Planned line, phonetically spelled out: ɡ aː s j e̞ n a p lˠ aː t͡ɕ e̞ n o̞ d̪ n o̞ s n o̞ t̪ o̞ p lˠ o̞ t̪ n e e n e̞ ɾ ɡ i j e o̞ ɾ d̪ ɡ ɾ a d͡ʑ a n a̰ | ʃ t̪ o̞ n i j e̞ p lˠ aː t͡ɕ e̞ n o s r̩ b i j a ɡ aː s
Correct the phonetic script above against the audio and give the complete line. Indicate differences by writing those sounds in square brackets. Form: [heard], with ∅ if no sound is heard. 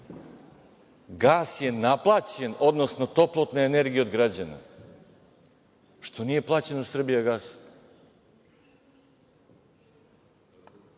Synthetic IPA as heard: ɡ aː s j e̞ n a p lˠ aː t͡ɕ e̞ n o̞ d̪ n o̞ s n o̞ t̪ o̞ p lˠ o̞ t̪ n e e n e̞ ɾ ɡ i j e o̞ [∅] d̪ ɡ ɾ a d͡ʑ a n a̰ | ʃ t̪ o̞ n i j e̞ p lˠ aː t͡ɕ e̞ n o s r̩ b i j a ɡ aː s